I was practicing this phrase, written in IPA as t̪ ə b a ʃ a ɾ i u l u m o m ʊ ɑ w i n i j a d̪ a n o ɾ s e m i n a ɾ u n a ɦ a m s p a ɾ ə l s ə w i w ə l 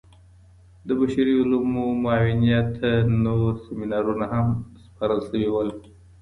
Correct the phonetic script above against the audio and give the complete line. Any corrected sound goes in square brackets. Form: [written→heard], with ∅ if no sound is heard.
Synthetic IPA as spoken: [t̪→d̪] ə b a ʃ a ɾ i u l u m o m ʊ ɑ w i n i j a [d̪→t̪] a n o ɾ s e m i n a ɾ u n a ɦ a m s p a ɾ ə l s ə w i w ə l